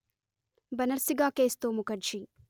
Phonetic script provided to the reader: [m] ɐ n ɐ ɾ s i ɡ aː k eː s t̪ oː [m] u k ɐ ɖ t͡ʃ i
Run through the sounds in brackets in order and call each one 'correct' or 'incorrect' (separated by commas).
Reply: incorrect, correct